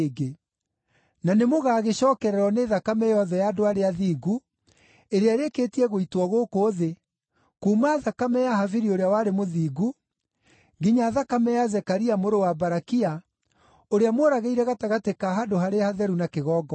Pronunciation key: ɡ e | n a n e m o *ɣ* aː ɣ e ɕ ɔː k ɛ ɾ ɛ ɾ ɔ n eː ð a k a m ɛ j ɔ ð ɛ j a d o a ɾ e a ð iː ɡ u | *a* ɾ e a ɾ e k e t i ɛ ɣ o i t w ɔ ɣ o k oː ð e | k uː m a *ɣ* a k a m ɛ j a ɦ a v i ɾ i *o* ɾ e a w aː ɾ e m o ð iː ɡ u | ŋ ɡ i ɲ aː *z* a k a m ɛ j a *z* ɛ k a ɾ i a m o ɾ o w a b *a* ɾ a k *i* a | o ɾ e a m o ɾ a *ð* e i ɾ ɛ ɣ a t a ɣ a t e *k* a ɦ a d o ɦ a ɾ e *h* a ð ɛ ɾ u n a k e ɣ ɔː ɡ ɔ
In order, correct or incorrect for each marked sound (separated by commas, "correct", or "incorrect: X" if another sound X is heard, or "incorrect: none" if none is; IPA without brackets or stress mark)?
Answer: correct, incorrect: e, incorrect: ð, correct, incorrect: ð, correct, correct, correct, incorrect: ɣ, correct, correct